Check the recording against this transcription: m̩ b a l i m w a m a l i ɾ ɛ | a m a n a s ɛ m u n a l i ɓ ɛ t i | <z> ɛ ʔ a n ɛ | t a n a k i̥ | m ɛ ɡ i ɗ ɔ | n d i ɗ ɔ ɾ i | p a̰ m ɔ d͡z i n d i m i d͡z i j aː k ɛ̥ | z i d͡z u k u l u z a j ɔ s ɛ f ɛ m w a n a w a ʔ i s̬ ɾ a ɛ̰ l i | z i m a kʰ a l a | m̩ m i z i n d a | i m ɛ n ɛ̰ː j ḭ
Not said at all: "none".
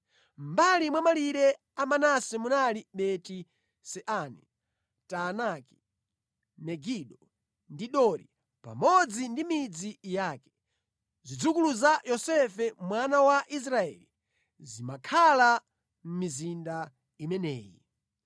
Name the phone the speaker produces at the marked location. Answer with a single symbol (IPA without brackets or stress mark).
s